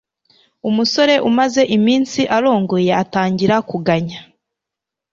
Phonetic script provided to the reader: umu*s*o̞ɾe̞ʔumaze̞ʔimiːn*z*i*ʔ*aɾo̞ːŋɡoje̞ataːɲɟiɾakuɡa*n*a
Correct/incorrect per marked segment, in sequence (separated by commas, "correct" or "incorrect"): correct, incorrect, correct, incorrect